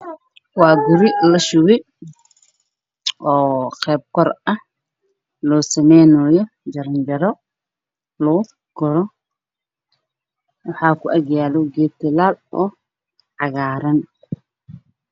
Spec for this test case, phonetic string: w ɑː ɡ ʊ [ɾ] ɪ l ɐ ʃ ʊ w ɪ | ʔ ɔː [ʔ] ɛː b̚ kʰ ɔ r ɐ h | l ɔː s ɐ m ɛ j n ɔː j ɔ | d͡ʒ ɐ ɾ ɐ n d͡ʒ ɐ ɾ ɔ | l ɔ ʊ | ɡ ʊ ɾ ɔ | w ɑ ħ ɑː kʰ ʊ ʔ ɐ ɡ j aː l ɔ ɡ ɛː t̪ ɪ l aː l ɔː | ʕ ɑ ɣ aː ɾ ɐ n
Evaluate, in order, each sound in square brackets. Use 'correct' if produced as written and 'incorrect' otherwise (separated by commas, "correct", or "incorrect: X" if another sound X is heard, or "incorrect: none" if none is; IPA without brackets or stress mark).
correct, incorrect: q